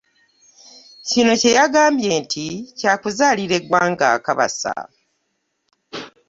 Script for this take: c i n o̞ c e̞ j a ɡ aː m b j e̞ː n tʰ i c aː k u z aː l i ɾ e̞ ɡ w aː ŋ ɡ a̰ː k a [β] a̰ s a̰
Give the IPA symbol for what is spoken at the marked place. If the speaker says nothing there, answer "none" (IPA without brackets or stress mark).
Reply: β